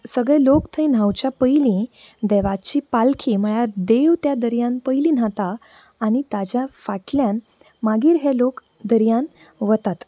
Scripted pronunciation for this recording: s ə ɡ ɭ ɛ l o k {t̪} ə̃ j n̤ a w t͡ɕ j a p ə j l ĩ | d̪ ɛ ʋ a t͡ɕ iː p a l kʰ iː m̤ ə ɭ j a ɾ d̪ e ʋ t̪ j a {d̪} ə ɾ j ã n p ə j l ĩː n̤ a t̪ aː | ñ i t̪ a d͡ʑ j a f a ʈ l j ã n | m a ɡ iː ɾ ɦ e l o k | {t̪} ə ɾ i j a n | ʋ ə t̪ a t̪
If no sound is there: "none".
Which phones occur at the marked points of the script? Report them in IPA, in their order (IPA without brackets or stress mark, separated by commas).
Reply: t̪ʰ, d̪, d̪